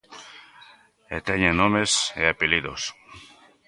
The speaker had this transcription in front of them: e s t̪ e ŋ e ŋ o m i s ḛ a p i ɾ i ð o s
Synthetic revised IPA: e t̪ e ɲ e n o m e s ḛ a p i l i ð o s

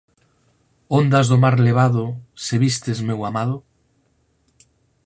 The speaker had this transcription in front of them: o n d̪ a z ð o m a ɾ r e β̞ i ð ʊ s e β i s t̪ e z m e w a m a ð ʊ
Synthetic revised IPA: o n d̪ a z ð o m a ɾ l e β̞ a ð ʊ s e β i s t̪ e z m e w a m a ð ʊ

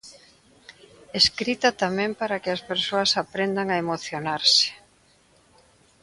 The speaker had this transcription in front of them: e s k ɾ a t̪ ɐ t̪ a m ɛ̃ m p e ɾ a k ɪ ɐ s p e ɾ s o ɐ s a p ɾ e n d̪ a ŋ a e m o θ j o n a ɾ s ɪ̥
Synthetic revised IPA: e s k ɾ i t̪ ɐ t̪ a m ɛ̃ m p a ɾ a k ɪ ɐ s p e ɾ s o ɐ s a p ɾ e n d̪ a ŋ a e m o θ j o n a ɾ s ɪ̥

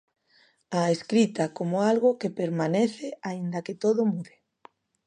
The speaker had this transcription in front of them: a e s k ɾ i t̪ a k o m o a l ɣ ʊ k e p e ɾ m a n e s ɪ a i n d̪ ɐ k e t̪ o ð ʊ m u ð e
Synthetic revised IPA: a e s k ɾ i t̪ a k o m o a l ɣ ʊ k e p e ɾ m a n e θ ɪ a i n d̪ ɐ k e t̪ o ð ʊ m u ð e

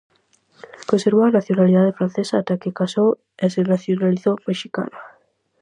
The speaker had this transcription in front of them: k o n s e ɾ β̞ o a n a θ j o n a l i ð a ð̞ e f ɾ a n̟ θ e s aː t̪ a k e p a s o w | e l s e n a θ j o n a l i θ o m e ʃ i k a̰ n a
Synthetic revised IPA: k o n s e ɾ β̞ o a n a θ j o n a l i ð a ð̞ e f ɾ a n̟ θ e s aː t̪ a k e k a s o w | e s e n a θ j o n a l i θ o m e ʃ i k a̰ n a

